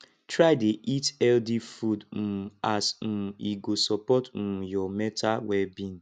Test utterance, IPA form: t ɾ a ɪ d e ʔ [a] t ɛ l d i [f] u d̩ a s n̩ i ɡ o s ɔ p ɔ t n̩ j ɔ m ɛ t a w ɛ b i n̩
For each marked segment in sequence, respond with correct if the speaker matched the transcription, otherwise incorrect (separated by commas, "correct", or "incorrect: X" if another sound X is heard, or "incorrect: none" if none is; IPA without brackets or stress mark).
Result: incorrect: i, correct